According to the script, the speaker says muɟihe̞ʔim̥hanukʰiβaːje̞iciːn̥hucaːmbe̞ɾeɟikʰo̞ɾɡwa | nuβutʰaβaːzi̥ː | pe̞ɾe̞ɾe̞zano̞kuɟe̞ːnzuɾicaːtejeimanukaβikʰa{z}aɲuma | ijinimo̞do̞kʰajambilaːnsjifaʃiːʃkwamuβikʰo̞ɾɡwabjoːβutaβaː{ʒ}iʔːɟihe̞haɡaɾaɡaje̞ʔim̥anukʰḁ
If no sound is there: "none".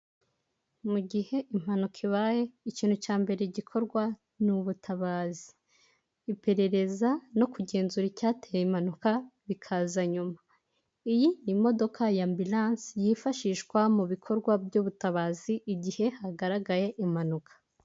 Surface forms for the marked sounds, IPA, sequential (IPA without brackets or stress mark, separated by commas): z, z